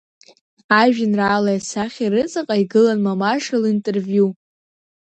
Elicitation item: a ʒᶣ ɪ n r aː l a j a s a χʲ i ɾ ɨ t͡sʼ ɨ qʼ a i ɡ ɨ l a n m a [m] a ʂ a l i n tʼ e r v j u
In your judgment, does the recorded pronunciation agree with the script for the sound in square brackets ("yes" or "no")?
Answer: yes